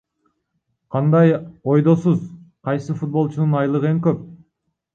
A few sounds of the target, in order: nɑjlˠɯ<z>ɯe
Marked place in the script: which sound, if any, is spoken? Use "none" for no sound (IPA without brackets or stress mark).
ʁ